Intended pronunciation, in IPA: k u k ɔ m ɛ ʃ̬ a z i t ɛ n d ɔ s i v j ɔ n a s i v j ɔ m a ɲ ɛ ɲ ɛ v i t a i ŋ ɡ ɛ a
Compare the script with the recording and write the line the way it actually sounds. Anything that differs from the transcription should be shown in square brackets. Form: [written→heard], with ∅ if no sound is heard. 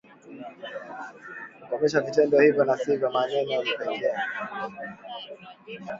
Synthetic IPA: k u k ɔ m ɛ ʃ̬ a [z→v] i t ɛ n d ɔ [s→h] i v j ɔ n a s i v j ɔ m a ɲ ɛ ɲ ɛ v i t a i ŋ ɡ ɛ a